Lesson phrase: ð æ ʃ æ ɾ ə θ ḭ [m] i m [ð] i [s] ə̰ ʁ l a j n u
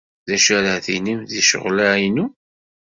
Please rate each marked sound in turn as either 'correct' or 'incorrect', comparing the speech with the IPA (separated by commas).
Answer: incorrect, correct, incorrect